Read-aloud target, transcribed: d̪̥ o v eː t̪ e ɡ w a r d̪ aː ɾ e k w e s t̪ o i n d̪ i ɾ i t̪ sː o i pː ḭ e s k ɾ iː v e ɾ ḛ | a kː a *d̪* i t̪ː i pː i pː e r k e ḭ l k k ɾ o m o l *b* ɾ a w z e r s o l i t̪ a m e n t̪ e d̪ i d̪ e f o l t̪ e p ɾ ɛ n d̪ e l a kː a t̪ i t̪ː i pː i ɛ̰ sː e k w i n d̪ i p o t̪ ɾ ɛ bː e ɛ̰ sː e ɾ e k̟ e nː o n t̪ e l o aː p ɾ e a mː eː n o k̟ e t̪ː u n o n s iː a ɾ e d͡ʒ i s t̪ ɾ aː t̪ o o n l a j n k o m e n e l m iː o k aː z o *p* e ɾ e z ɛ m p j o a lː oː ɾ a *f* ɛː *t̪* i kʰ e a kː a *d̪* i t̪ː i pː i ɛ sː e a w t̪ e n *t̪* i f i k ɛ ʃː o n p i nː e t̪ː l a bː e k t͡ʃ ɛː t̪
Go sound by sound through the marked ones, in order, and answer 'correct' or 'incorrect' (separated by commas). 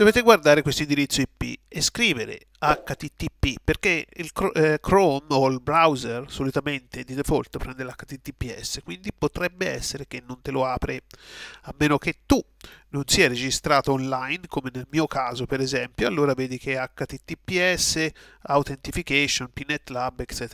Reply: incorrect, correct, correct, incorrect, incorrect, incorrect, correct